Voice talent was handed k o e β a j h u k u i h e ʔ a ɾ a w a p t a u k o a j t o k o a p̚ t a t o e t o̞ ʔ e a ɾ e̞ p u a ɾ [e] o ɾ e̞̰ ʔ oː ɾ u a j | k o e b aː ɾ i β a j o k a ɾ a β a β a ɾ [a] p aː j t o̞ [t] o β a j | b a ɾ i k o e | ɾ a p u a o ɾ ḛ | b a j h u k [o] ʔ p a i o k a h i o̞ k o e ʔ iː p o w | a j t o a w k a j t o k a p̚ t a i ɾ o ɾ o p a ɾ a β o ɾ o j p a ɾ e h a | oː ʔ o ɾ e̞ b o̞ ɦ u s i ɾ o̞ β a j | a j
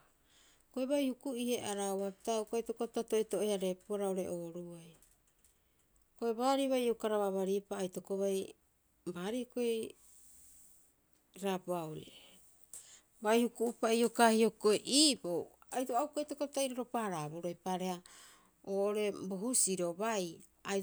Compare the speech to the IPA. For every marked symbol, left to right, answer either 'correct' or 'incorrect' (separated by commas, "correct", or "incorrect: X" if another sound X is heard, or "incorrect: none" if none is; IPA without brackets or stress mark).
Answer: incorrect: a, incorrect: i, incorrect: k, incorrect: u